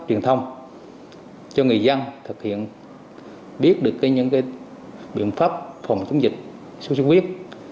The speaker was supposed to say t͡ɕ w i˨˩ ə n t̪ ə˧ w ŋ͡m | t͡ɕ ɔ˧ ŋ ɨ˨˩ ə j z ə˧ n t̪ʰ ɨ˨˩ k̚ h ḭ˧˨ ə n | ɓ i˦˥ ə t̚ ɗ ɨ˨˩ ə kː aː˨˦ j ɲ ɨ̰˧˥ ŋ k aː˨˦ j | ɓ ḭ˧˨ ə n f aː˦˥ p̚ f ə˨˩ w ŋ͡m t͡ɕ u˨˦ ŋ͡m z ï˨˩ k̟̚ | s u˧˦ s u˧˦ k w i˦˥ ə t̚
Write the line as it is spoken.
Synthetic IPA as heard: t͡ɕ w i˨˩ ə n t̪ʰ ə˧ w ŋ͡m | t͡ɕ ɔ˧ ŋ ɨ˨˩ ə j z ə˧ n t̪ʰ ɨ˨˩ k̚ h ḭ˧˨ ə n | ɓ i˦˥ ə t̚ ɗ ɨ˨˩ ə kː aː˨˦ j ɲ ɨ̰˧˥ ŋ k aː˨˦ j | ɓ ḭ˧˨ ə n f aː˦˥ p̚ f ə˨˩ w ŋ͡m t͡ɕ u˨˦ ŋ͡m z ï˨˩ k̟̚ | s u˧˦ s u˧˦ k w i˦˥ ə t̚